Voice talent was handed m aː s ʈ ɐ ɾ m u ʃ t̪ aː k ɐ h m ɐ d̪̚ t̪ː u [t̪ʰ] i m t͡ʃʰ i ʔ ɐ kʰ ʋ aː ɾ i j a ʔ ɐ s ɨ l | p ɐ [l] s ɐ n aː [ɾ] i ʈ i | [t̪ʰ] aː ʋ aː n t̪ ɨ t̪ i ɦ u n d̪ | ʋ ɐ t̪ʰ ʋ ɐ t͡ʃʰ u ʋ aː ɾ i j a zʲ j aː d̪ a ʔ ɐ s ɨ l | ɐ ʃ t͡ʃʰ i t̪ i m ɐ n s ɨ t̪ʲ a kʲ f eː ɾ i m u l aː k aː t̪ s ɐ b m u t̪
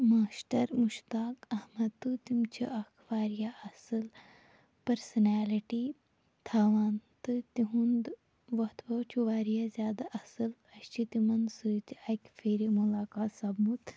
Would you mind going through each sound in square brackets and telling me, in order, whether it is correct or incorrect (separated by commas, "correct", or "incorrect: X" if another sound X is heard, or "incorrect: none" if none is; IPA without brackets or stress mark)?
incorrect: t̪, incorrect: ɾ, incorrect: l, correct